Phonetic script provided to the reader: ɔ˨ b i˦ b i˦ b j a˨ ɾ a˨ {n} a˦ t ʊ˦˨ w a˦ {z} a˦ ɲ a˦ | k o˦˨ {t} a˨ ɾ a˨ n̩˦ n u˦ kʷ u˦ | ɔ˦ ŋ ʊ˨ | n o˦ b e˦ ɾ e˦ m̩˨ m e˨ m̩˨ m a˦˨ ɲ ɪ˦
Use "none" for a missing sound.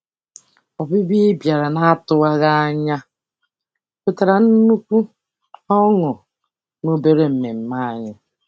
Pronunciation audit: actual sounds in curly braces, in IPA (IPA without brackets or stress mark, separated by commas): n, ɣ, t